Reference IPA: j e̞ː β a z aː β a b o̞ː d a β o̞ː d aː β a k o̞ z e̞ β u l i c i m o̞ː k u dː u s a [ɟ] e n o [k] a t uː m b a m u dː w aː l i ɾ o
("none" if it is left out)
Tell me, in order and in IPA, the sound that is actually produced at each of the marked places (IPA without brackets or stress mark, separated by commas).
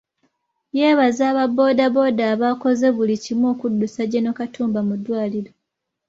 ɟ, k